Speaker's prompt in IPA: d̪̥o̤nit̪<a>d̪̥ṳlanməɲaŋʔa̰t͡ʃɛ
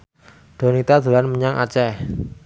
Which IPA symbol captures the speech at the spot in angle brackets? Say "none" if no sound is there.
a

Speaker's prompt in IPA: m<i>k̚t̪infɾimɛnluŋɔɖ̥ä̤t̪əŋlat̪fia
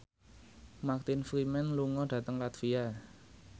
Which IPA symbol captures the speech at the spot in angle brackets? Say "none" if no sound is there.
a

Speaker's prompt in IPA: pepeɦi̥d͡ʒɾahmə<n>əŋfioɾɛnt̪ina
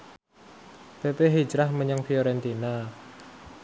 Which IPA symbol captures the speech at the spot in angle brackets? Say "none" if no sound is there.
ɲ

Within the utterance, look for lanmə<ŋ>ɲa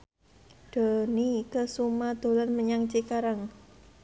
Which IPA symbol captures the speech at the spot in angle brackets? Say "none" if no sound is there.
none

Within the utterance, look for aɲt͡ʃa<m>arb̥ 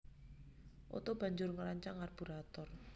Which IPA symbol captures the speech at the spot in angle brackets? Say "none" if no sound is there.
ŋ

